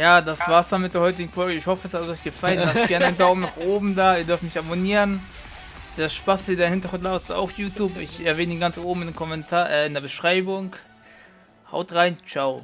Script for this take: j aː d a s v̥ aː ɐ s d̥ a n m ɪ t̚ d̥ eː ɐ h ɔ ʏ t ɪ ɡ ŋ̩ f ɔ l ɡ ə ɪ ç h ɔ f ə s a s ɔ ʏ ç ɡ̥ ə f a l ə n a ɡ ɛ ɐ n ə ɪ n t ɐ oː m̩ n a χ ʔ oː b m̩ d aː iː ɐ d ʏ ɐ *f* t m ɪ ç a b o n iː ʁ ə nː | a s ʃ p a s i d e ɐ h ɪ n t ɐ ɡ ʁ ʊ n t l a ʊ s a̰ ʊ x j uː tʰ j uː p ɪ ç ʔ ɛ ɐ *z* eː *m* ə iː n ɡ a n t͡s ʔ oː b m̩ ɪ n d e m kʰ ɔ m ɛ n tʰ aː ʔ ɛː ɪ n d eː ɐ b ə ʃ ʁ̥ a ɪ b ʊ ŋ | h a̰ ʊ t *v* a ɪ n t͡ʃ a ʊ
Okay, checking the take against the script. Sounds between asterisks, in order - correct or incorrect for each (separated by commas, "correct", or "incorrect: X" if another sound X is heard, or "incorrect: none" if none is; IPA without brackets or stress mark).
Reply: correct, incorrect: v, incorrect: n, incorrect: ʁ